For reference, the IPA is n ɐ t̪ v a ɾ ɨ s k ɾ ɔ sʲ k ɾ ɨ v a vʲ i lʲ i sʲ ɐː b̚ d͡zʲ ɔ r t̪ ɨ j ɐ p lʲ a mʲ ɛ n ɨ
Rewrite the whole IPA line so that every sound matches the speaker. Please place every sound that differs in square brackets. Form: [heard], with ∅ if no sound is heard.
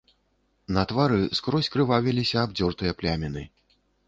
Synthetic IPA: n ɐ t̪ v a ɾ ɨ s k ɾ ɔ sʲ k ɾ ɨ v a vʲ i lʲ i sʲ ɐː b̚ d͡zʲ ɔ r t̪ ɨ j ɐ p lʲ a mʲ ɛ n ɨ